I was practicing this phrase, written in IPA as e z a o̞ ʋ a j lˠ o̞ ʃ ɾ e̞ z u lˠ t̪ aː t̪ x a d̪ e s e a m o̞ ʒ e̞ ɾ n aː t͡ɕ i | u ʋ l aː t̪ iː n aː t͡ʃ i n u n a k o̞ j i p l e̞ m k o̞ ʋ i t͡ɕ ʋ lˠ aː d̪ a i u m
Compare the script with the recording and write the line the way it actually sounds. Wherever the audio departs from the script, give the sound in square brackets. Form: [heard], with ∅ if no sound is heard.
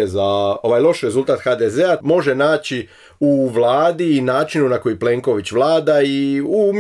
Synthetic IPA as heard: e z a o̞ ʋ a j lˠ o̞ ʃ ɾ e̞ z u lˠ t̪ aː t̪ x a d̪ e [z] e a m o̞ ʒ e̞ [∅] n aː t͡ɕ i | u ʋ l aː [d̪] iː n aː t͡ʃ i n u n a k o̞ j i p l e̞ [ŋ] k o̞ ʋ i t͡ɕ ʋ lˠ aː d̪ a i u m